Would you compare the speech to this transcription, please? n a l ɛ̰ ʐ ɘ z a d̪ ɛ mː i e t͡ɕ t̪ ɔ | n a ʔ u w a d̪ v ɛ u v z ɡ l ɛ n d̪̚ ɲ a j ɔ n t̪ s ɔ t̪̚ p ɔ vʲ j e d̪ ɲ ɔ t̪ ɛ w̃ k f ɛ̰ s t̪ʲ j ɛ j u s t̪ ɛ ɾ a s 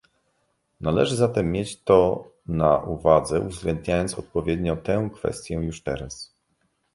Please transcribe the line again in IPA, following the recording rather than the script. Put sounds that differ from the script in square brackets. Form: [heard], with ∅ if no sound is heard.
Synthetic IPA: n a l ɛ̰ ʐ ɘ z a [t̪] ɛ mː [j] e t͡ɕ t̪ ɔ | n a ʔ u [v] a d̪ [z] ɛ u v z ɡ l ɛ n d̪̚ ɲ a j ɔ n t̪ s ɔ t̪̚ p ɔ vʲ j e d̪ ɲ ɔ t̪ ɛ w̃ k f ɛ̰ s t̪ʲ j ɛ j u [ʂ] t̪ ɛ ɾ a s